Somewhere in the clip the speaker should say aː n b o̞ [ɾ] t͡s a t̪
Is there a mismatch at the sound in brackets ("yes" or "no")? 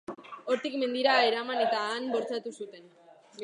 no